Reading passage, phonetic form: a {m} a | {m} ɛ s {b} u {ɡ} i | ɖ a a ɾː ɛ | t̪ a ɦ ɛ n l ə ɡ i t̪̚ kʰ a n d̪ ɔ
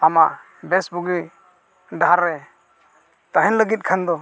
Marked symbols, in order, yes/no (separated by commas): yes, no, yes, yes